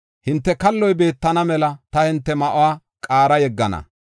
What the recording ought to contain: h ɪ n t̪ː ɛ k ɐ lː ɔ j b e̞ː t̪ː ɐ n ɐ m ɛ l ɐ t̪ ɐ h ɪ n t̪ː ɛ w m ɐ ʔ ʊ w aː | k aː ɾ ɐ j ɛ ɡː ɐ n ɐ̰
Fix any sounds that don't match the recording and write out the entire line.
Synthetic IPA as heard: h ɪ n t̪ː ɛ k ɐ lː ɔ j b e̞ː t̪ː ɐ n ɐ m ɛ l ɐ t̪ ɐ h ɪ n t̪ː ɛ m ɐ ʔ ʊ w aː | kʼ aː ɾ ɐ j ɛ ɡː ɐ n ɐ̰